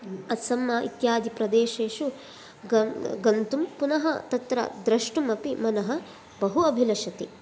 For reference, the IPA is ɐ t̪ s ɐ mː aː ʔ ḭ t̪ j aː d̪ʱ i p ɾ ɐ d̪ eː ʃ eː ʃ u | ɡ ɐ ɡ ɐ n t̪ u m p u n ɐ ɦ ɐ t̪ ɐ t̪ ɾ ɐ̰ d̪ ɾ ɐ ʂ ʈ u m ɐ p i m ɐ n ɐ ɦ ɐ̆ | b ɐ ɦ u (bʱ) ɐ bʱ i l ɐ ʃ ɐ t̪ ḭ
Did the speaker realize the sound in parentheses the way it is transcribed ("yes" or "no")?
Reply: no